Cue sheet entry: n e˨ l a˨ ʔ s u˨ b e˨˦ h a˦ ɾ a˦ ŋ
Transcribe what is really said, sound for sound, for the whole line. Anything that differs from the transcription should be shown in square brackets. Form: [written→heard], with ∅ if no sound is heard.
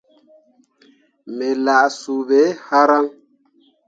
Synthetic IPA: [n→m] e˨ l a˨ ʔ s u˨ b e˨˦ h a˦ ɾ a˦ ŋ